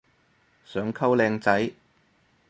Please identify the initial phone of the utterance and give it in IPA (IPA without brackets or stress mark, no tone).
s